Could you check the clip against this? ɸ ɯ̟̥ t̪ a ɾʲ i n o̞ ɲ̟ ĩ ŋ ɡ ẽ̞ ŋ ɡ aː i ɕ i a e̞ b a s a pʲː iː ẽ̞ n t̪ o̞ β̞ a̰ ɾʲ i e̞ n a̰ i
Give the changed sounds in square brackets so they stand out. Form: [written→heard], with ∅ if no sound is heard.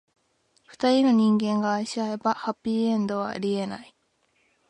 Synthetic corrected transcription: ɸ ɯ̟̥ t̪ a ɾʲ i n o̞ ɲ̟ ĩ ŋ ɡ ẽ̞ ŋ ɡ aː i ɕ i a e̞ b a [s→h] a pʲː iː ẽ̞ n [t̪→d̪] o̞ β̞ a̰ ɾʲ i e̞ n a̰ i